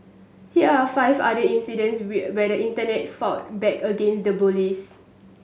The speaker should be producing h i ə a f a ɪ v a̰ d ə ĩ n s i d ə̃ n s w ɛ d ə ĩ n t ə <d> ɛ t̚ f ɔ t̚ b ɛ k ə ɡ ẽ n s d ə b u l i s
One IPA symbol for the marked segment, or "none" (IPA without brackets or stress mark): n